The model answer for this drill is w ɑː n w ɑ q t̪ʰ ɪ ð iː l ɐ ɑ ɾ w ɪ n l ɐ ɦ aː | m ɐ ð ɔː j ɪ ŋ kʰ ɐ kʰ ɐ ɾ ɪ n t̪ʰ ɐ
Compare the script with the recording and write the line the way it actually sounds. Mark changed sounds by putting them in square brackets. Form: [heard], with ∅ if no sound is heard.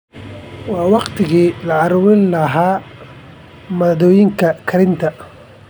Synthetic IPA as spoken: w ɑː [∅] w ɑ q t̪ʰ ɪ [ɣ] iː l ɐ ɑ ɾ w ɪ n l ɐ ɦ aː | m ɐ ð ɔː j ɪ ŋ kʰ ɐ kʰ ɐ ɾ ɪ n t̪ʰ ɐ